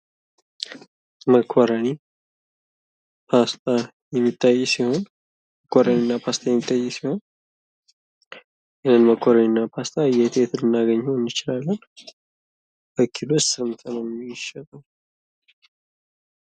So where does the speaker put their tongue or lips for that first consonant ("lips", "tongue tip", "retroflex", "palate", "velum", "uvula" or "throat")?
lips